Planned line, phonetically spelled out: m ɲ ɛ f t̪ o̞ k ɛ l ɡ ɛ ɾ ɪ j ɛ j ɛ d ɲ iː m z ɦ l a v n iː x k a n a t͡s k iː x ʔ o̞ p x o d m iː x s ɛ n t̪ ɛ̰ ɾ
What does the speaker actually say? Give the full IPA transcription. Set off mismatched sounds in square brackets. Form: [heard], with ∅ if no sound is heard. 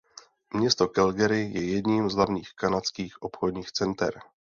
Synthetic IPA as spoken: m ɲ ɛ [s] t̪ o̞ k ɛ l ɡ ɛ ɾ ɪ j ɛ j ɛ d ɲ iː m z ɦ l a v [ɲ] iː x k a n a t͡s k iː x ʔ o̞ p x o d [ɲ] iː x [t͡s] ɛ n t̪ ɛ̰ ɾ